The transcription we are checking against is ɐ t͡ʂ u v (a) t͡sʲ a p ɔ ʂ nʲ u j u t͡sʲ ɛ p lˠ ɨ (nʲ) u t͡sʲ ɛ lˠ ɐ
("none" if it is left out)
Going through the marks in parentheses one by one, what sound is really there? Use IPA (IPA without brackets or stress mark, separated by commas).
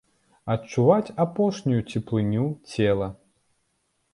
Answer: a, nʲ